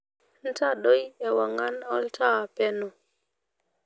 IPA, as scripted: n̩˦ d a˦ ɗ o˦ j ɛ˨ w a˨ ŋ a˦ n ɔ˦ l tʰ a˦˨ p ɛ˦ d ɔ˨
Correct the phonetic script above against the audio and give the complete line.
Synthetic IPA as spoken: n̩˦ t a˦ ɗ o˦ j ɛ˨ w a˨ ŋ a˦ n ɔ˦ l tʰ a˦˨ p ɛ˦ n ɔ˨